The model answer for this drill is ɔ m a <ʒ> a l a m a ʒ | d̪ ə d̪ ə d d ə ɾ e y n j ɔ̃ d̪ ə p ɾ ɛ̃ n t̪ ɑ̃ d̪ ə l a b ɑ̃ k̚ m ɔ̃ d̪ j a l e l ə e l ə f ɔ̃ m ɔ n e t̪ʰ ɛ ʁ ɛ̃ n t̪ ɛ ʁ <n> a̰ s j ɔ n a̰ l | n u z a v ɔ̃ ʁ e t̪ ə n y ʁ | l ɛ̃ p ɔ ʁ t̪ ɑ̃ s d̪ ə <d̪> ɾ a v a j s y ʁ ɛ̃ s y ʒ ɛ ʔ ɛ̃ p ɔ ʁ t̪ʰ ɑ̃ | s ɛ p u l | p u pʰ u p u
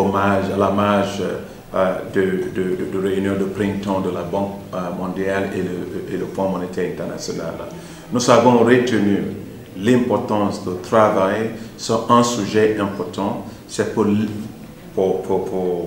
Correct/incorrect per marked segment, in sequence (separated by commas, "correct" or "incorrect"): correct, correct, incorrect